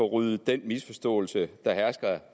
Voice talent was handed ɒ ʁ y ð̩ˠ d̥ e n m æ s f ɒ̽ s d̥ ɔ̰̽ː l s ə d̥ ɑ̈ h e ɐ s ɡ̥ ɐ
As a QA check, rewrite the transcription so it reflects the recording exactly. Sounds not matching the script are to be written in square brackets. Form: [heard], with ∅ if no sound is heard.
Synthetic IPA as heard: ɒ ʁ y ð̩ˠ d̥ e n m [i] s f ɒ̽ s d̥ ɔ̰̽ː l s ə d̥ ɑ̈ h [æ] ɐ s ɡ̥ ɐ

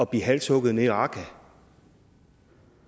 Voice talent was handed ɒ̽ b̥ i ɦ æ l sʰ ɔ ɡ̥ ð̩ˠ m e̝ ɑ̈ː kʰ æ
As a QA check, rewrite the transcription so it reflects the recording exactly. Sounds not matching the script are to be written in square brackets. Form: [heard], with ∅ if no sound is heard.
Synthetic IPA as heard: ɒ̽ b̥ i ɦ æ l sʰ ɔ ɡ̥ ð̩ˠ [n] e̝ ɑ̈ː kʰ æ

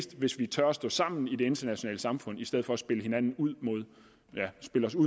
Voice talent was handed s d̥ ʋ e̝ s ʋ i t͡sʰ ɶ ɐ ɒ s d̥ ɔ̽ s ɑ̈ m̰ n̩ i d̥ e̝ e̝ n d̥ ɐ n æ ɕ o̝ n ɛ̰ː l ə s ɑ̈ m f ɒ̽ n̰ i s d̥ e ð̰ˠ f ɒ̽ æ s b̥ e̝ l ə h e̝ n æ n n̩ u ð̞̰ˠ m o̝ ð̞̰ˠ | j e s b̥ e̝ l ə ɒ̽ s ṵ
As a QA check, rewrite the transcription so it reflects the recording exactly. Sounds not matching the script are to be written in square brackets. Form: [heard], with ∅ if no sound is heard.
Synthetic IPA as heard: s d̥ ʋ e̝ s ʋ i t͡sʰ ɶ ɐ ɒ s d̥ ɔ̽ s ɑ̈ m̰ n̩ i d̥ e̝ e̝ n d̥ ɐ n æ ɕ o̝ n ɛ̰ː l ə s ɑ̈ m f [ɔ̽] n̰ i s d̥ e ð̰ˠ f ɒ̽ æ s b̥ e̝ l ə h e̝ n æ n n̩ u ð̞̰ˠ m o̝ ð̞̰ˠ | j [æ] s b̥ e̝ l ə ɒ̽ s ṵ

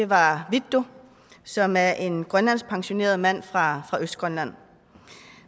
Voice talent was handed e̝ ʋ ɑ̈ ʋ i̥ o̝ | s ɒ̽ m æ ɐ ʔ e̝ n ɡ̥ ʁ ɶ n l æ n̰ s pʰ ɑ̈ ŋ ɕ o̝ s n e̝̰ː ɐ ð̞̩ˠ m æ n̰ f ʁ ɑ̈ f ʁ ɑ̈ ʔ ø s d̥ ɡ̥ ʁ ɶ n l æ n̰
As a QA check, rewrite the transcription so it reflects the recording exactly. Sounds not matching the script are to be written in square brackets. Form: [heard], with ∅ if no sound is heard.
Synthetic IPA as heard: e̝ ʋ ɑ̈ ʋ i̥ o̝ | s ɒ̽ m æ ɐ ʔ e̝ n ɡ̥ ʁ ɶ n l æ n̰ s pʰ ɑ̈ ŋ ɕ o̝ [∅] n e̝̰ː ɐ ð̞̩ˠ m æ n̰ f ʁ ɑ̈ f ʁ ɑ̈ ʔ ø s d̥ ɡ̥ ʁ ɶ n l æ n̰

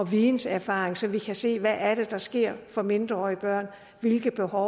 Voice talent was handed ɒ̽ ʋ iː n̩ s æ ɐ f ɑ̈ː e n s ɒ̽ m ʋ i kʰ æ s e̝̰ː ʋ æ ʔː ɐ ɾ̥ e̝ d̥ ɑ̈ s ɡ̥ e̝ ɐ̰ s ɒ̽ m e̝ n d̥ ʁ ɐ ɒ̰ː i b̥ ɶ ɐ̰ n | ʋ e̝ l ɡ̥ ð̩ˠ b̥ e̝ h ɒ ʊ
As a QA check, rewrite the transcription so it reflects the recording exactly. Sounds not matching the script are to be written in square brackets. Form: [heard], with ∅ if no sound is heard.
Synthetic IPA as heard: ɒ̽ ʋ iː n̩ s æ ɐ f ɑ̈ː e [ŋ] s ɒ̽ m ʋ i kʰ æ s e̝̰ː ʋ æ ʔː ɐ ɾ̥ e̝ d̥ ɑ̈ s ɡ̥ e̝ ɐ̰ [f] ɒ̽ m e̝ n d̥ ʁ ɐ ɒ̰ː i b̥ ɶ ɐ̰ n | ʋ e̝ l ɡ̥ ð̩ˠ b̥ e̝ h ɒ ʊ

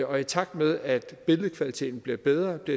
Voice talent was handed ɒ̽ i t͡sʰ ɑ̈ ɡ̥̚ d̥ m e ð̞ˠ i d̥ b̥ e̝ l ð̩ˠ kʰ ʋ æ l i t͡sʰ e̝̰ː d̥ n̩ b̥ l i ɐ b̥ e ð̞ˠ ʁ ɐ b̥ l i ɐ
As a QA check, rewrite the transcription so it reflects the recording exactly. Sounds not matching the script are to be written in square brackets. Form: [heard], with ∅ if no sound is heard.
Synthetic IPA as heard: ɒ̽ i t͡sʰ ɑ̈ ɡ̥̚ d̥ m e ð̞ˠ [æ] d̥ b̥ e̝ l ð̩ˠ kʰ ʋ æ l i t͡sʰ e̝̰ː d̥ n̩ b̥ l i ɐ b̥ e ð̞ˠ ʁ ɐ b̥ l i ɐ

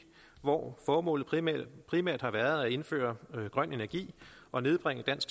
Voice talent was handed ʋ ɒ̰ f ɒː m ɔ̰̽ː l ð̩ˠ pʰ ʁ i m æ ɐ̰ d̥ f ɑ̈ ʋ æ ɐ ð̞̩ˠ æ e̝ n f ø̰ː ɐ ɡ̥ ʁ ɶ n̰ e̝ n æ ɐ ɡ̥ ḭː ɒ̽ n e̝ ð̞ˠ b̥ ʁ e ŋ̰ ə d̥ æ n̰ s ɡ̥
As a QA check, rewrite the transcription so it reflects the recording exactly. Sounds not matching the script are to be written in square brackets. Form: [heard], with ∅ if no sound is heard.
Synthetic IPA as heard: ʋ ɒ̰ f ɒː m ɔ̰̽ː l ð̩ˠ pʰ ʁ i m æ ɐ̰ d̥ [h] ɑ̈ ʋ æ ɐ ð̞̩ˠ æ e̝ n f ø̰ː ɐ ɡ̥ ʁ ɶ n̰ e̝ n æ ɐ ɡ̥ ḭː ɒ̽ n e̝ ð̞ˠ b̥ ʁ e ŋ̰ ə d̥ æ n̰ s ɡ̥

